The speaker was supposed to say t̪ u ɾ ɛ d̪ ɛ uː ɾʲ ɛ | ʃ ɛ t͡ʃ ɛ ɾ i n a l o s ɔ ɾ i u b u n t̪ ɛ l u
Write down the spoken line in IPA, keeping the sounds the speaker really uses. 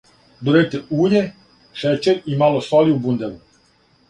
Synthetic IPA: d̪ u ɾ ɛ t̪ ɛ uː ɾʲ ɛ | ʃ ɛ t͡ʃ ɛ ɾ i m a l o s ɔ l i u b u n d̪ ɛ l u